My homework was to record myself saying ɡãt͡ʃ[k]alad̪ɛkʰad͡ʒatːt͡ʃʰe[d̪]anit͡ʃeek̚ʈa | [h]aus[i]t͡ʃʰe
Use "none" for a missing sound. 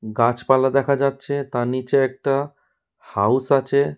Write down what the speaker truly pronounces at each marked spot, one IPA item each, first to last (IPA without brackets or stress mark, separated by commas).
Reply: p, t̪, h, a